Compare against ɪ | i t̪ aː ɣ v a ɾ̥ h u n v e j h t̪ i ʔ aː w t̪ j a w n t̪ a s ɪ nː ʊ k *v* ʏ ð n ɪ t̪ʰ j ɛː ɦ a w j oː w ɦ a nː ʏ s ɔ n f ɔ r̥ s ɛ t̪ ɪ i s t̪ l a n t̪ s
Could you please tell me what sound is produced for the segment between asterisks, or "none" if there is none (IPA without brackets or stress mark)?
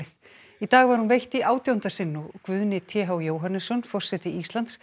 v